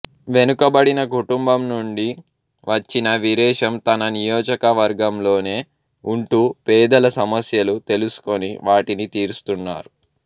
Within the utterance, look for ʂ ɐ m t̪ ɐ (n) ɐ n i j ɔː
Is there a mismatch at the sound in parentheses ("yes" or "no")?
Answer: no